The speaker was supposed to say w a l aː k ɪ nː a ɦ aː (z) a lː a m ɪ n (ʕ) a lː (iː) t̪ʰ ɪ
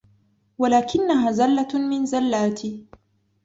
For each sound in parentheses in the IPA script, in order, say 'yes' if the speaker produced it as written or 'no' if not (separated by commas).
yes, no, no